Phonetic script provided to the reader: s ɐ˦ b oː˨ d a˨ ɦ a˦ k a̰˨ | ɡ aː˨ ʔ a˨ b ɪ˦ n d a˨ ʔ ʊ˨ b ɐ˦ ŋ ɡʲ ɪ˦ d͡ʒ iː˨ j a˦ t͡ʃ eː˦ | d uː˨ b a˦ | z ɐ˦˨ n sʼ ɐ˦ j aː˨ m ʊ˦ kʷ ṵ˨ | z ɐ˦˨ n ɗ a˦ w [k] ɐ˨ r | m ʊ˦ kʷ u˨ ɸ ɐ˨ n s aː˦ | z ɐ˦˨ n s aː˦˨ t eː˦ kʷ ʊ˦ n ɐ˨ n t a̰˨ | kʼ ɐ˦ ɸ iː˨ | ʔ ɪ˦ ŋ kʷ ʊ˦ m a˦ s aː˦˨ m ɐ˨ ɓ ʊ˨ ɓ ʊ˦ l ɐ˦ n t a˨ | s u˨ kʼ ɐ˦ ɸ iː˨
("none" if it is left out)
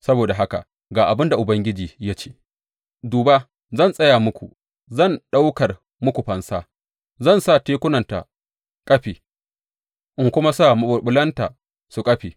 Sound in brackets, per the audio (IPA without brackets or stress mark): k